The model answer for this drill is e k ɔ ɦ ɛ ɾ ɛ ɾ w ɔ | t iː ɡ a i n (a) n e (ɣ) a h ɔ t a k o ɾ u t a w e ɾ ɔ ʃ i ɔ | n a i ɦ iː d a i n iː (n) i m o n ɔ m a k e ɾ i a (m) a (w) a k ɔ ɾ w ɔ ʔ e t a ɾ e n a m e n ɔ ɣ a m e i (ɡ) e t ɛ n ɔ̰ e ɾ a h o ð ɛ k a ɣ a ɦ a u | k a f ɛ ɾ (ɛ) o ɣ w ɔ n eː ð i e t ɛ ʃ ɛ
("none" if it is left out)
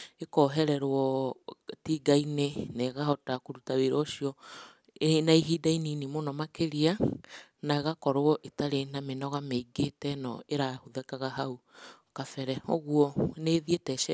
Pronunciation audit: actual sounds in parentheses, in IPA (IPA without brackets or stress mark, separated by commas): e, ɣ, n, n, ɣ, ɡ, ɛ